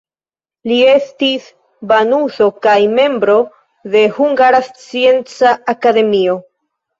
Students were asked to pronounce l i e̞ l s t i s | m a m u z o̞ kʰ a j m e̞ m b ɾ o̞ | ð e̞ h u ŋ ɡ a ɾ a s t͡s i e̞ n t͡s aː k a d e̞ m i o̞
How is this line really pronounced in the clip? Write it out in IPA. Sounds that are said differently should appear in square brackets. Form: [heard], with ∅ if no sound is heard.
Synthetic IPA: l i e̞ [∅] s t i s | [b] a [n] u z o̞ [k] a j m e̞ m b ɾ o̞ | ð e̞ h u ŋ ɡ a ɾ a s t͡s i e̞ n t͡s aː k a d e̞ m i o̞